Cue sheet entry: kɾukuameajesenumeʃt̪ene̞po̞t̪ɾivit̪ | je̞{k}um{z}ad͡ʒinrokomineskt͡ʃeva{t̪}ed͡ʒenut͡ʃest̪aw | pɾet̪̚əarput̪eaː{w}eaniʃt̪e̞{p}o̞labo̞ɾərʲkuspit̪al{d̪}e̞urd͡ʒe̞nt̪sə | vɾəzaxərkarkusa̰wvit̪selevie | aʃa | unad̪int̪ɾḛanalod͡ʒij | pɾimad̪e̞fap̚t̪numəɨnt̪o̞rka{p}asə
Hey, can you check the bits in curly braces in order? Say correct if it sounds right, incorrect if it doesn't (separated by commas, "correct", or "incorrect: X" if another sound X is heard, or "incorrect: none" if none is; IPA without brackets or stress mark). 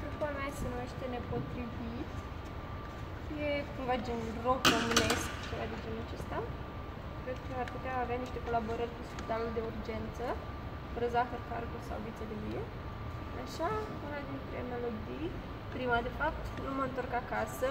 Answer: correct, incorrect: v, incorrect: d̪, incorrect: v, incorrect: k, correct, incorrect: k